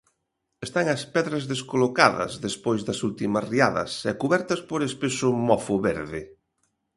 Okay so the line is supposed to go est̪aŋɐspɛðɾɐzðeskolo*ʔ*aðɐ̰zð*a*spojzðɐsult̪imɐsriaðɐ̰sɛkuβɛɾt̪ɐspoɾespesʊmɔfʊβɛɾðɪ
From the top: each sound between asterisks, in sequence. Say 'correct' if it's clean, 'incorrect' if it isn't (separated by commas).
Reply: incorrect, incorrect